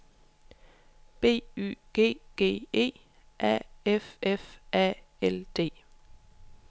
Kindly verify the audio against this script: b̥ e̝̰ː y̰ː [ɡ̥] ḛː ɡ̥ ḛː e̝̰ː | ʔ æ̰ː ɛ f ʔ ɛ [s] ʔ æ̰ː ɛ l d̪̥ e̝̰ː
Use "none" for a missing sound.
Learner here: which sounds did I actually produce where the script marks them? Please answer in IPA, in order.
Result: ɡ̥, f

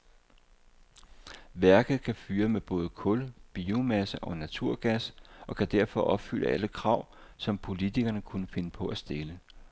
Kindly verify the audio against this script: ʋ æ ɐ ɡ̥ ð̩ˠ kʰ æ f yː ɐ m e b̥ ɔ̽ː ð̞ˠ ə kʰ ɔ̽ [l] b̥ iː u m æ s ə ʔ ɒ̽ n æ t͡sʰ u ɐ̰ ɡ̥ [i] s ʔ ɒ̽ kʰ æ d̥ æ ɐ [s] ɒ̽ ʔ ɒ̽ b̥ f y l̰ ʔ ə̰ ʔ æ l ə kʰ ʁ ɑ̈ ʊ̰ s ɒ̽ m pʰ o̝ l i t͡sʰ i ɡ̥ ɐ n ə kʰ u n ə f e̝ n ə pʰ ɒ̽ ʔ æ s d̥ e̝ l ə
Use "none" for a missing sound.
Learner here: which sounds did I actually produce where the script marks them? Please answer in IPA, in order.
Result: l, æ, f

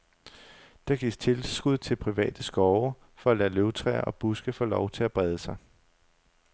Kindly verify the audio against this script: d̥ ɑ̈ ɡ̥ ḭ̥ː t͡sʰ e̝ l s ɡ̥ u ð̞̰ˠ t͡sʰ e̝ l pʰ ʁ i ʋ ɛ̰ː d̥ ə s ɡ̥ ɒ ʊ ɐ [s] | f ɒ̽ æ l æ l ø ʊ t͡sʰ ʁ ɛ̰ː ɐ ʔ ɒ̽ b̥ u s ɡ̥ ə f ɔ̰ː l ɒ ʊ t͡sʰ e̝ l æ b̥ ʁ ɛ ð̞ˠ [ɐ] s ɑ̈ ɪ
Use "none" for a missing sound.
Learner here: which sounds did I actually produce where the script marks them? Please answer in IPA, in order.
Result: none, ə

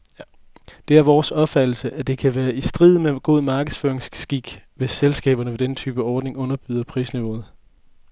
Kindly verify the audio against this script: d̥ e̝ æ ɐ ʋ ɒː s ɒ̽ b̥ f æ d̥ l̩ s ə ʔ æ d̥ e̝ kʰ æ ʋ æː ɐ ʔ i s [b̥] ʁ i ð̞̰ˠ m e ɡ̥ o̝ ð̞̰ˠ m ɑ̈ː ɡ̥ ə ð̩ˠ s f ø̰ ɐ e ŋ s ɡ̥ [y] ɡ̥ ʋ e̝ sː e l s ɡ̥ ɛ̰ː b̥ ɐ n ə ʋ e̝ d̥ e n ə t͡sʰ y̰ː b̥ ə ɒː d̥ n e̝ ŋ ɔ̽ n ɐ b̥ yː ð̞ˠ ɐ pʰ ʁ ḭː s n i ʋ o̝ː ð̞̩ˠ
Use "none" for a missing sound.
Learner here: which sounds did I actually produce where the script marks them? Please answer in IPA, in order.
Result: d̥, i

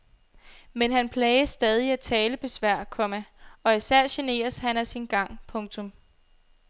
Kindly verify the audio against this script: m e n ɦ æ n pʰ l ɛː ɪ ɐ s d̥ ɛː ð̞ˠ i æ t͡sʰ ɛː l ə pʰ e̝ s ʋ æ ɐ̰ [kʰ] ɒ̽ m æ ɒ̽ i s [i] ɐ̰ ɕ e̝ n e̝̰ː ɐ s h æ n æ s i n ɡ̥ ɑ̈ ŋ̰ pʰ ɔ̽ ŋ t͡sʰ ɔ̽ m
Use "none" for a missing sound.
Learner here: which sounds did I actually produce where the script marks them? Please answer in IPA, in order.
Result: kʰ, æ

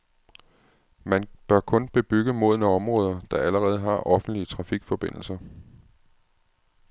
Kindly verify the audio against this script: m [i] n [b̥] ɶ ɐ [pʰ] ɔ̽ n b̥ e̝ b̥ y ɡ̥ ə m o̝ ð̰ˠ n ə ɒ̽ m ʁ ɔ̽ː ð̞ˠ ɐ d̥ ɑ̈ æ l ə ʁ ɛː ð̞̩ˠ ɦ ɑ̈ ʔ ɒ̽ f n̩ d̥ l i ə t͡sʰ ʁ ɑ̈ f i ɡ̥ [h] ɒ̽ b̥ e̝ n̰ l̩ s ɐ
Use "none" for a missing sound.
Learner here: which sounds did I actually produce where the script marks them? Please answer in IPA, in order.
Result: æ, b̥, kʰ, f

